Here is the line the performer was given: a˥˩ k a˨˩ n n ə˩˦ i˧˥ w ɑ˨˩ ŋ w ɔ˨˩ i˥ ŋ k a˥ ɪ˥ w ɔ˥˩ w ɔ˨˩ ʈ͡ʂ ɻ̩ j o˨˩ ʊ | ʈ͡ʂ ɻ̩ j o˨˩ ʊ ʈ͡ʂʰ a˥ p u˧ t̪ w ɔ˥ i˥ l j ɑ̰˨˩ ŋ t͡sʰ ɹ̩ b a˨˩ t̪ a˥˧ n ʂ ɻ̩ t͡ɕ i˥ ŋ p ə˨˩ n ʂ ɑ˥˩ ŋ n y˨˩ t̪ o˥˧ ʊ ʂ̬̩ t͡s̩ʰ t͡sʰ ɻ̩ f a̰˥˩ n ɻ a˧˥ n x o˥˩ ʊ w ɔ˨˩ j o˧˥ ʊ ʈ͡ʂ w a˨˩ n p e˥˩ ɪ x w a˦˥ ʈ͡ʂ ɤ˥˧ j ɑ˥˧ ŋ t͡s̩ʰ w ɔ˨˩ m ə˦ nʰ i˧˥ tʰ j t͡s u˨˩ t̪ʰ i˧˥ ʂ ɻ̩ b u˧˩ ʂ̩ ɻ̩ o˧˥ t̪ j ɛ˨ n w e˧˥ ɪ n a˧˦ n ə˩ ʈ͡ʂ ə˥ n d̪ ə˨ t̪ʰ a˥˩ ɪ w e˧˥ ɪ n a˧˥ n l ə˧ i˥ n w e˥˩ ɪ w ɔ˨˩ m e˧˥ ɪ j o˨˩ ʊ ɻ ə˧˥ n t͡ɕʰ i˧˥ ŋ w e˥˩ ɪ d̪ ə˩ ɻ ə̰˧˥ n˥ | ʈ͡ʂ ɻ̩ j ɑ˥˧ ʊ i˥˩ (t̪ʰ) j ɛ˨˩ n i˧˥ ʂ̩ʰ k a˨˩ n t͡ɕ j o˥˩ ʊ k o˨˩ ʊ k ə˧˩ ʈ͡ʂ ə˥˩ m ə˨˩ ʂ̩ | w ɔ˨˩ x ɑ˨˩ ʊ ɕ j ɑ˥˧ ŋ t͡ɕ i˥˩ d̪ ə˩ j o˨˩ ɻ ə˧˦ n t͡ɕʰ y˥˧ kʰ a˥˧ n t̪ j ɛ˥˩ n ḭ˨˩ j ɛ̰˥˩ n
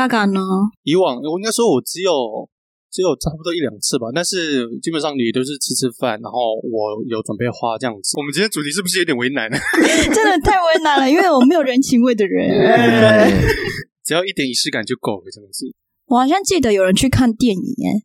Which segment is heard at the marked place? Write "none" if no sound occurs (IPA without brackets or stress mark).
t̪